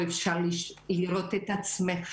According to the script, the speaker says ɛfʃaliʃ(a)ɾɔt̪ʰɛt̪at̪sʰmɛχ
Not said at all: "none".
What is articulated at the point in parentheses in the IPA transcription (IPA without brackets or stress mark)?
i